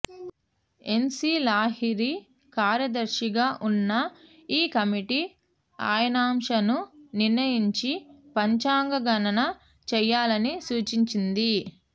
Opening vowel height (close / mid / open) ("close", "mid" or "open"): mid